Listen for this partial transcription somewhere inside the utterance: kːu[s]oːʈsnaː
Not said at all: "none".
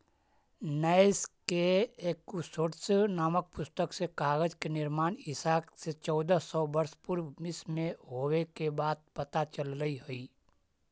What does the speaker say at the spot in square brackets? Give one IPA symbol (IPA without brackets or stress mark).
s